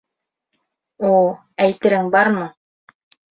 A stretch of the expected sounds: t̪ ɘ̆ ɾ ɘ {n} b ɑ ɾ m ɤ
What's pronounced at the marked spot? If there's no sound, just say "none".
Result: ŋ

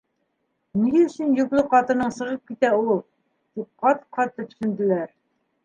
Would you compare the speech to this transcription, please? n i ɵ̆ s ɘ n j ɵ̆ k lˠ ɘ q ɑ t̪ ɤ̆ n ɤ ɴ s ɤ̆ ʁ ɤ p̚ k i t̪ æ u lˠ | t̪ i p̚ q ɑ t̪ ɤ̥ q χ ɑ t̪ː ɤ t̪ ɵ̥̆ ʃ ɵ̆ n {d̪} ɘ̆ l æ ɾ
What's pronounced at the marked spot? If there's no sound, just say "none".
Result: d̪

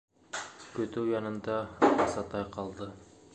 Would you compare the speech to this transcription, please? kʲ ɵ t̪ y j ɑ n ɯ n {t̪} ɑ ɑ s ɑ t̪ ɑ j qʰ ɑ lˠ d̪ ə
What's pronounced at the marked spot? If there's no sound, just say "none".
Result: d̪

